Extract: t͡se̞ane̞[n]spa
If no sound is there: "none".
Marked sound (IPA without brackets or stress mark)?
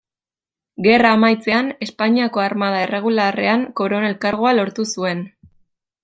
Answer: none